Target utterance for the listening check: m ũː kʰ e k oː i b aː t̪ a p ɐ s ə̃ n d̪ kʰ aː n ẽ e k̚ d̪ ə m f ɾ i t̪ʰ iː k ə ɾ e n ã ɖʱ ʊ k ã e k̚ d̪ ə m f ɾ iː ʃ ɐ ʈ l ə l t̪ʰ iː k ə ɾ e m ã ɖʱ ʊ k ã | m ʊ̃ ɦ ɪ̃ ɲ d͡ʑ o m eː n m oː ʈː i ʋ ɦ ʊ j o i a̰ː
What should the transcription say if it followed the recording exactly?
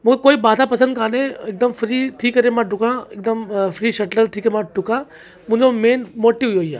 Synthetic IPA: m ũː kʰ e k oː i b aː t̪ a p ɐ s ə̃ n d̪ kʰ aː n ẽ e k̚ d̪ ə m f ɾ i t̪ʰ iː k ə ɾ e m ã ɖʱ ʊ k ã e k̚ d̪ ə m f ɾ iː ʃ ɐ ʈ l ə l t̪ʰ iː k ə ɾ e m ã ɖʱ ʊ k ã | m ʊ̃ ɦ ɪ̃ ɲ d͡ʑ o m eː n m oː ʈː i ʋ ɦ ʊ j o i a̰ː